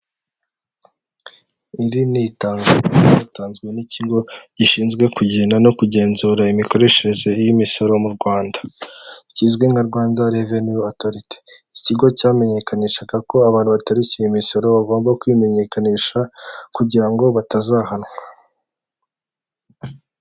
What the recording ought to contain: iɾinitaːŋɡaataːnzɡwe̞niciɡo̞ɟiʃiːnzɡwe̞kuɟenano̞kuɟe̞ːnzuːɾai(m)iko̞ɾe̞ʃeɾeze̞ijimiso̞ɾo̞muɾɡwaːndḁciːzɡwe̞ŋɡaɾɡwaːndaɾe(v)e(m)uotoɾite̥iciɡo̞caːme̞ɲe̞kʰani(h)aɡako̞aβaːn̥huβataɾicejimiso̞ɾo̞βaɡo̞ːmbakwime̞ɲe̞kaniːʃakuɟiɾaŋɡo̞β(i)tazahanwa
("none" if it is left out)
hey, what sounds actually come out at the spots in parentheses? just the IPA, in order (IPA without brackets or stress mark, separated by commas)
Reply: m, v, n, ʃ, a